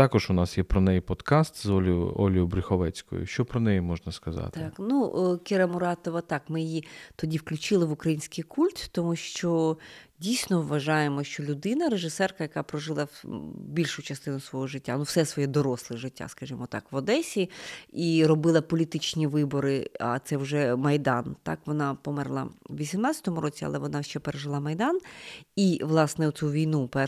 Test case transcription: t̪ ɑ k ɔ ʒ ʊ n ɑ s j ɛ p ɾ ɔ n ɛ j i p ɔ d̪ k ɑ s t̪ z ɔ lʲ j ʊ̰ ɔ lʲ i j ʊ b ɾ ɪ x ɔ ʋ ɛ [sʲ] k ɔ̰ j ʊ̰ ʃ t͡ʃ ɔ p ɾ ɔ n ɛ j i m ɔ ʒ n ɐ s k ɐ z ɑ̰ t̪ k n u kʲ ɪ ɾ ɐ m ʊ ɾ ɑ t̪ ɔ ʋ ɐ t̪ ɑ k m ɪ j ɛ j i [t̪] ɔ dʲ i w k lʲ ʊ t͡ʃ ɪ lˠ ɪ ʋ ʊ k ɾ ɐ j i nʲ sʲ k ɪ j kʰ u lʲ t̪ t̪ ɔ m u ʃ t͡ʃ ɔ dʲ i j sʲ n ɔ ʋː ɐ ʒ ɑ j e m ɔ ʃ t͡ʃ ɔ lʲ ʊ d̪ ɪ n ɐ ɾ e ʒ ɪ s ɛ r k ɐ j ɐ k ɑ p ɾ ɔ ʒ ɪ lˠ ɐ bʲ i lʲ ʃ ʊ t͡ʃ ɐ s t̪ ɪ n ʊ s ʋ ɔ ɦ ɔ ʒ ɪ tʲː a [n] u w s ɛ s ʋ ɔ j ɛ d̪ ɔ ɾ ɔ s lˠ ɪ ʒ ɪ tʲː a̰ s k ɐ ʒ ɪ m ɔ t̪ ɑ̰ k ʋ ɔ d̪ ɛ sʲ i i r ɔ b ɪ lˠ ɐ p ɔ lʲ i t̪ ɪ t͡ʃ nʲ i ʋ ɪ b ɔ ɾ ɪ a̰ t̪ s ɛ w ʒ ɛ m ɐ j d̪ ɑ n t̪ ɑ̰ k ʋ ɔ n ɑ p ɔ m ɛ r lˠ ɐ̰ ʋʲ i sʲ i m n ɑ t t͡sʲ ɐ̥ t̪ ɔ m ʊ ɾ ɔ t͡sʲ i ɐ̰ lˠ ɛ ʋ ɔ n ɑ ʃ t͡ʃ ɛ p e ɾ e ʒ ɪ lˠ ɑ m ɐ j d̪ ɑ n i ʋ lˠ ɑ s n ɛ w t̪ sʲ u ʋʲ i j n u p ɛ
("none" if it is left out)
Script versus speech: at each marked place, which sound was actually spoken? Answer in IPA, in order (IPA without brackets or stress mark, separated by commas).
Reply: t͡sʲ, t̪, n